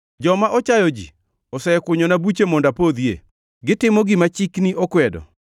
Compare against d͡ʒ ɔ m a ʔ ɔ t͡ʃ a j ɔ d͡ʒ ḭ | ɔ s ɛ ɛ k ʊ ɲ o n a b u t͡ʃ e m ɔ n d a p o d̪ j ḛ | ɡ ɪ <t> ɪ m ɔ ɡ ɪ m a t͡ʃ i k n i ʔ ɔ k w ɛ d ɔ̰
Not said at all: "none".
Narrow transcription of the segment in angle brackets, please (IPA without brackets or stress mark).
t